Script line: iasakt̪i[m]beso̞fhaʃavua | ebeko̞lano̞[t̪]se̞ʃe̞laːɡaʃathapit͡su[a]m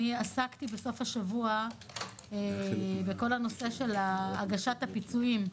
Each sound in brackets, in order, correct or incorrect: incorrect, incorrect, incorrect

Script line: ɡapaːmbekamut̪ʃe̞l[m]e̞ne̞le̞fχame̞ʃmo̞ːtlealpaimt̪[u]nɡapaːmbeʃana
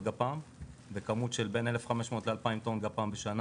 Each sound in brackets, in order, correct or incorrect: incorrect, incorrect

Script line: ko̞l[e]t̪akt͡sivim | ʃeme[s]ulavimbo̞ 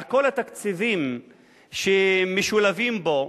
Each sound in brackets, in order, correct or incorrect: incorrect, incorrect

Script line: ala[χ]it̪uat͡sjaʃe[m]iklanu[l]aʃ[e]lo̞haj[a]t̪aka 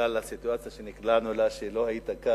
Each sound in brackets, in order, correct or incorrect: incorrect, incorrect, correct, correct, incorrect

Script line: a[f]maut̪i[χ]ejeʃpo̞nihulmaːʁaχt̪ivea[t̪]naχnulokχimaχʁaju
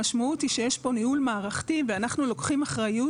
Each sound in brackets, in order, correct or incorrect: incorrect, incorrect, incorrect

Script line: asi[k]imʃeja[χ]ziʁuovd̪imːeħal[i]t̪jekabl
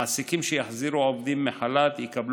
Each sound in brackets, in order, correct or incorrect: correct, incorrect, incorrect

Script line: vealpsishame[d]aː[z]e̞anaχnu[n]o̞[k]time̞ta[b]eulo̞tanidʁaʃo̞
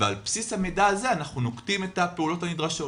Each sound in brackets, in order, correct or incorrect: correct, correct, correct, correct, incorrect

